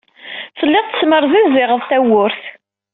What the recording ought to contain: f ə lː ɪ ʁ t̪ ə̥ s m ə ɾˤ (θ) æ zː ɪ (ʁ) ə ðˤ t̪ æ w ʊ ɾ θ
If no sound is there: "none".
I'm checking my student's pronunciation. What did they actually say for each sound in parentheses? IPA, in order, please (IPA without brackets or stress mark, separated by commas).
ð, ʁ